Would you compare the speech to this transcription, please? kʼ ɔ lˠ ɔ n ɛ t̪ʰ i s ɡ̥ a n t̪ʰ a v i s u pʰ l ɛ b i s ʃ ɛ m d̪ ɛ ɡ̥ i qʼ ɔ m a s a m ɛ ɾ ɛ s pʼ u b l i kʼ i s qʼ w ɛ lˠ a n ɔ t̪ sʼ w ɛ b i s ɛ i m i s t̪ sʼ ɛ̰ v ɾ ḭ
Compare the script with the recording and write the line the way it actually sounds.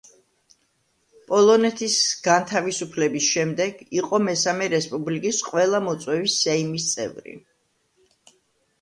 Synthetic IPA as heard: pʼ ɔ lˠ ɔ n ɛ t̪ʰ i s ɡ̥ a n t̪ʰ a v i s u pʰ l ɛ b i s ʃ ɛ m d̪ ɛ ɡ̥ i qʼ ɔ m ɛ s a m ɛ ɾ ɛ s pʼ u b l i kʼ i s qʼ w ɛ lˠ a m ɔ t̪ sʼ w ɛ v i s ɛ i m i s t̪ sʼ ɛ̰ v ɾ ḭ

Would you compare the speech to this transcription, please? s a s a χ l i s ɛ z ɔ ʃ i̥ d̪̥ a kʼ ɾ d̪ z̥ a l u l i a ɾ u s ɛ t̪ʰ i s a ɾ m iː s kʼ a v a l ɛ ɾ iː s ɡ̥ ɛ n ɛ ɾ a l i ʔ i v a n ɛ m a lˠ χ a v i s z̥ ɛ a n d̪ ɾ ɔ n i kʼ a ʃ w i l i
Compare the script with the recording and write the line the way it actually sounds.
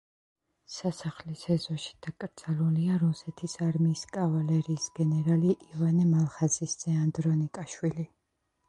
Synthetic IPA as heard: s a s a χ l i s ɛ z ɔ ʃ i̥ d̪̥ a kʼ ɾ d̪ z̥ a l u l i a ɾ u s ɛ t̪ʰ i s a ɾ m iː s kʼ a v a l ɛ ɾ iː s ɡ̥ ɛ n ɛ ɾ a l i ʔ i v a n ɛ m a lˠ χ a z i s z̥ ɛ a n d̪ ɾ ɔ n i kʼ a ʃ w i l i

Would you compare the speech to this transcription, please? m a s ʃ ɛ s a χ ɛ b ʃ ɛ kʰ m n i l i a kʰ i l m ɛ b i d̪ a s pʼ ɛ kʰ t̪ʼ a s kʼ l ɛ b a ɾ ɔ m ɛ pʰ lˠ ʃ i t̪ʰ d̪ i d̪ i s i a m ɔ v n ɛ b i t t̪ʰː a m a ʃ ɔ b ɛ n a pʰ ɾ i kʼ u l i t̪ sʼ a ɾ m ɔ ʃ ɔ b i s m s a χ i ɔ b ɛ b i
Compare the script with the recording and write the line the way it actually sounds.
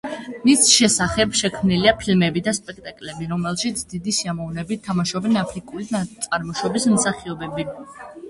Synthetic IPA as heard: m i s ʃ ɛ s a χ ɛ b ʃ ɛ kʰ m n i l i a pʰ i l m ɛ b i d̪ a s pʼ ɛ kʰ t̪ʼ a kʼ l ɛ b i ɾ ɔ m ɛ lˠ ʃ i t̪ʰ d̪ i d̪ i s i a m ɔ v n ɛ b i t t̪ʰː a m a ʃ ɔ b ɛ n a pʰ ɾ i kʼ u l i t̪ sʼ a ɾ m ɔ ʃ ɔ b i s m s a χ i ɔ b ɛ b i

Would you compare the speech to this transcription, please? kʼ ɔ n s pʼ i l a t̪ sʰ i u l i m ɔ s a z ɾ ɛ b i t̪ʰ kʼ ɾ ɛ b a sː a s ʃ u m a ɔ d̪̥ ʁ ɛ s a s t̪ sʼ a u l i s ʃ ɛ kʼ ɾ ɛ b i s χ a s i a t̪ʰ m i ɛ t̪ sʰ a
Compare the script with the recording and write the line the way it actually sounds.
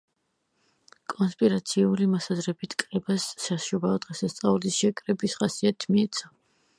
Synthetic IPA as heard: kʼ ɔ n s pʼ i ɾ a t̪ sʰ i u l i m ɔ s a z ɾ ɛ b i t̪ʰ kʼ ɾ ɛ b a sː a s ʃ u b a ɔ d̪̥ ʁ ɛ s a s t̪ sʼ a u l i s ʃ ɛ kʼ ɾ ɛ b i s χ a s i a t̪ʰ m i ɛ t̪ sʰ a

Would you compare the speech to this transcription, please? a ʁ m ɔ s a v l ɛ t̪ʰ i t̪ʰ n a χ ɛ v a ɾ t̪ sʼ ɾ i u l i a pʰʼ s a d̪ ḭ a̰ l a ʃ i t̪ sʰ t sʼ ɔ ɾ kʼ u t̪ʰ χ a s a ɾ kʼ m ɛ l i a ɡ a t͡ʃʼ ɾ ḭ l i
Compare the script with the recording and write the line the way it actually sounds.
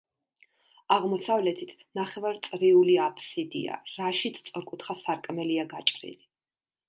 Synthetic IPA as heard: a ʁ m ɔ s a v l ɛ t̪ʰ i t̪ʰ n a χ ɛ v a ɾ t̪ sʼ ɾ i u l i a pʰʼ s i d̪ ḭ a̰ ɾ a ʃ i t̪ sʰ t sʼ ɔ ɾ kʼ u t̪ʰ χ a s a ɾ kʼ m ɛ l i a ɡ a t͡ʃʼ ɾ ḭ l i

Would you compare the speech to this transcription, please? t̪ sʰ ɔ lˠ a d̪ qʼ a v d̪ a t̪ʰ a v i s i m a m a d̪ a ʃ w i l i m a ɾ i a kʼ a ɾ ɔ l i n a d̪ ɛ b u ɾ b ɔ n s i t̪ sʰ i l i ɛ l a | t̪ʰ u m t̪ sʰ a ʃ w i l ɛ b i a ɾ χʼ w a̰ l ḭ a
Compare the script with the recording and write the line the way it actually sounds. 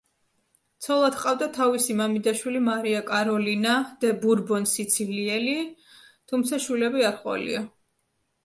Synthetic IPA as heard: t̪ sʰ ɔ lˠ a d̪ qʼ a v d̪ a t̪ʰ a v i s i m a m i d̪ a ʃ w i l i m a ɾ i a kʼ a ɾ ɔ l i n a d̪ ɛ b u ɾ b ɔ n s i t̪ sʰ i l i ɛ l i | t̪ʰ u m t̪ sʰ a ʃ w i l ɛ b i a ɾ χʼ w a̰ l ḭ a

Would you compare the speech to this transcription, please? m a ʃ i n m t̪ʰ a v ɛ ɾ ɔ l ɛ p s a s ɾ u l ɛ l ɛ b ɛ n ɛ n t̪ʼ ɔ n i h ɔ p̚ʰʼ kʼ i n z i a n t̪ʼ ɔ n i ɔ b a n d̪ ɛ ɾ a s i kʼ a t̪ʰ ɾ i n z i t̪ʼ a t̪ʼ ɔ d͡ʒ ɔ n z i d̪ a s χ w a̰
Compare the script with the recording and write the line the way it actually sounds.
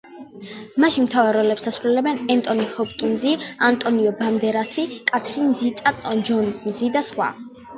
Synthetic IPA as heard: m a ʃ i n m t̪ʰ a v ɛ ɾ ɔ l ɛ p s a s ɾ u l ɛ l ɛ b ɛ n ɛ n t̪ʼ ɔ n i h ɔ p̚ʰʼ kʼ i n z i a n t̪ʼ ɔ n i ɔ b a n d̪ ɛ ɾ a s i kʼ a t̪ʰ ɾ i n z i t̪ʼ a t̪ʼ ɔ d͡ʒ ɔ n z i d̪ a s χ w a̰

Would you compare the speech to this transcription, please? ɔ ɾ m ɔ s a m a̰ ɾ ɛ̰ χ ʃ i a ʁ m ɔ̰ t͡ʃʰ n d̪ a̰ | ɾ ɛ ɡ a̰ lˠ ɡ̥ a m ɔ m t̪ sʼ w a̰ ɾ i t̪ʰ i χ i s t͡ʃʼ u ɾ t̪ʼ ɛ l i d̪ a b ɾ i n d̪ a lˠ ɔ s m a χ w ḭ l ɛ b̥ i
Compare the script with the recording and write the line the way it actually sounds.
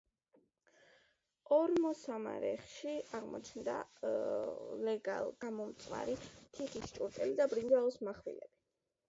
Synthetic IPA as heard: ɔ ɾ m ɔ s a m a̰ ɾ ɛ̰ χ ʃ i a ʁ m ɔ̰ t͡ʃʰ n d̪ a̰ | l ɛ ɡ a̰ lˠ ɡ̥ a m ɔ m t̪ sʼ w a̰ ɾ i t̪ʰ i χ i s t͡ʃʼ u ɾ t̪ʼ ɛ l i d̪ a b ɾ i n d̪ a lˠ ɔ s m a χ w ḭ l ɛ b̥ i

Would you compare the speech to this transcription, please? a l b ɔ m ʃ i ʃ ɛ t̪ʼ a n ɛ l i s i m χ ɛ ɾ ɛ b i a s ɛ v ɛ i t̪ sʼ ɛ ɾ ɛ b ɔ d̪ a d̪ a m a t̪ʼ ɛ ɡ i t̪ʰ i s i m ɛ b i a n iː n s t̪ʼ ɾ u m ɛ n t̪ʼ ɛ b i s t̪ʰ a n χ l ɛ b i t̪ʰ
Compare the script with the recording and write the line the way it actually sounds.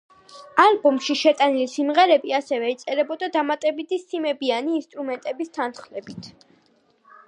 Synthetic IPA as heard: a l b ɔ m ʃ i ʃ ɛ t̪ʼ a n i l i s i m ʁ ɛ ɾ ɛ b i a s ɛ v ɛ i t̪ sʼ ɛ ɾ ɛ b ɔ d̪ a d̪ a m a t̪ʼ ɛ b i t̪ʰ i s i m ɛ b i a n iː n s t̪ʼ ɾ u m ɛ n t̪ʼ ɛ b i s t̪ʰ a n χ l ɛ b i t̪ʰ

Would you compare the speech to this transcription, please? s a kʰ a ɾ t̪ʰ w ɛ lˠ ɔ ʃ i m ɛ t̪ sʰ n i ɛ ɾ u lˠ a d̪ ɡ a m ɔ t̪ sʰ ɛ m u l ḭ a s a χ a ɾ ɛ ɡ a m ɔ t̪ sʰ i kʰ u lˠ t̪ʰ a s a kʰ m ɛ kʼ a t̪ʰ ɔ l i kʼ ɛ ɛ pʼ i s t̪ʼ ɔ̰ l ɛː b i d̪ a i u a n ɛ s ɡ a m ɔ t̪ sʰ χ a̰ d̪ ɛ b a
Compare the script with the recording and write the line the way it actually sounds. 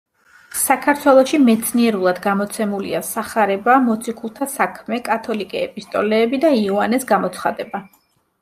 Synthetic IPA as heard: s a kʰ a ɾ t̪ʰ w ɛ lˠ ɔ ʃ i m ɛ t̪ sʰ n i ɛ ɾ u lˠ a d̪ ɡ a m ɔ t̪ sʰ ɛ m u l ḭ a s a χ a ɾ ɛ b a m ɔ t̪ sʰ i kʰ u lˠ t̪ʰ a s a kʰ m ɛ kʼ a t̪ʰ ɔ l i kʼ ɛ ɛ pʼ i s t̪ʼ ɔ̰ l ɛː b i d̪ a i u a n ɛ s ɡ a m ɔ t̪ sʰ χ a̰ d̪ ɛ b a

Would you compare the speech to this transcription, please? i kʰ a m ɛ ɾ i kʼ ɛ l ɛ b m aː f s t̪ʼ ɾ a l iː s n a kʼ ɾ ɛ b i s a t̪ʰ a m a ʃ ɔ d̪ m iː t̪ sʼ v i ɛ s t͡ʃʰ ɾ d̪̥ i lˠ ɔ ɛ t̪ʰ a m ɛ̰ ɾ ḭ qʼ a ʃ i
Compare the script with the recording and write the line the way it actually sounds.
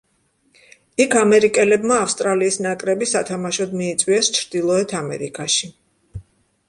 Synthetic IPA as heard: i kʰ a m ɛ ɾ i kʼ ɛ l ɛ b m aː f s t̪ʼ ɾ a l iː s n a kʼ ɾ ɛ b i s a t̪ʰ a m a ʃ ɔ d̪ m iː t̪ sʼ w i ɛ s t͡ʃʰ ɾ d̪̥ i lˠ ɔ ɛ t̪ʰ a m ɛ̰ ɾ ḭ kʼ a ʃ i

